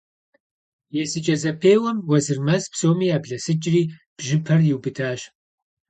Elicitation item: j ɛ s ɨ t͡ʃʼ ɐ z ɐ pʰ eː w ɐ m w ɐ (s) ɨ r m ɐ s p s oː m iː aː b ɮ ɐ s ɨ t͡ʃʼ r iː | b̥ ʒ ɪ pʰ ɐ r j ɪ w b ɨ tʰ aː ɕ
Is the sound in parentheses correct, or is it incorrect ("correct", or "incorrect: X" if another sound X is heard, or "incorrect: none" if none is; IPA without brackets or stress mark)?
incorrect: z